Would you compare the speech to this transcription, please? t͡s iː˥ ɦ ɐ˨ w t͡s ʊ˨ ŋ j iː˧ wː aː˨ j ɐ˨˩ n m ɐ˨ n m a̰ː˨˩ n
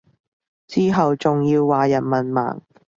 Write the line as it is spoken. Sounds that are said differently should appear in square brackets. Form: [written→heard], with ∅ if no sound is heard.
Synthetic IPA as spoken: t͡s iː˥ ɦ ɐ˨ w t͡s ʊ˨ ŋ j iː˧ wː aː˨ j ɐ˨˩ n m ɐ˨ n m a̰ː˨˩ [n→ŋ]